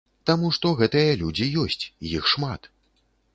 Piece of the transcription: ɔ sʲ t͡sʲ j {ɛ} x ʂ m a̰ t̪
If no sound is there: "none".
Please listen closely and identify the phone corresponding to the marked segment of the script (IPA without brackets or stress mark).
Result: i